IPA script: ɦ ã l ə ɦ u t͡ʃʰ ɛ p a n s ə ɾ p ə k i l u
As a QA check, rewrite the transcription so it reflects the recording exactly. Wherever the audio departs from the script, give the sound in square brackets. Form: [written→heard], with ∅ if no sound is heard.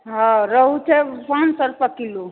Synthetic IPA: ɦ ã [l→ɾ] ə ɦ u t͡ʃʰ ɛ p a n s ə ɾ p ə k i l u